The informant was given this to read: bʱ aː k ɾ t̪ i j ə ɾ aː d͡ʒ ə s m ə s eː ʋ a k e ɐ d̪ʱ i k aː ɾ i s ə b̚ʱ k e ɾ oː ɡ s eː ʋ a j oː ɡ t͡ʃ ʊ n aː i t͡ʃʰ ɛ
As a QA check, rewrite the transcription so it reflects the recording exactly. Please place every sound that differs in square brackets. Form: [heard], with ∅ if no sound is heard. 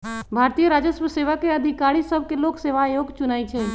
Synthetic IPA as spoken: bʱ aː [∅] ɾ t̪ i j ə ɾ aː d͡ʒ ə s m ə s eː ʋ a k e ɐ d̪ʱ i k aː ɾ i s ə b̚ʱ k e [l] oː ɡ s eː ʋ a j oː ɡ t͡ʃ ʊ n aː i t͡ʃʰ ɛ